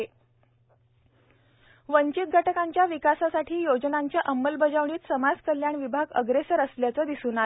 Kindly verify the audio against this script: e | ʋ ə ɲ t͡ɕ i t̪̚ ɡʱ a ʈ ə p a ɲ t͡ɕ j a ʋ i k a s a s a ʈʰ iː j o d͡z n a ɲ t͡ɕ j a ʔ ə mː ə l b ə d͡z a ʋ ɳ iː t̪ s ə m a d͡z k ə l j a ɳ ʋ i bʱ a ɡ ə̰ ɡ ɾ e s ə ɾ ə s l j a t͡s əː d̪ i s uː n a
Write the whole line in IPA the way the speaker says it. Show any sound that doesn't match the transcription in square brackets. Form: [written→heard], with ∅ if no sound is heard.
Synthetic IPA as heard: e | ʋ ə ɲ t͡ɕ i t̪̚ ɡʱ a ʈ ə [p→k] a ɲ t͡ɕ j a ʋ i k a s a s a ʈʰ iː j o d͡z n a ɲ t͡ɕ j a ʔ ə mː ə l b ə d͡z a ʋ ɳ iː t̪ s ə m a d͡z k ə l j a ɳ ʋ i bʱ a ɡ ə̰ ɡ ɾ e s ə ɾ ə s l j a t͡s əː d̪ i s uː n a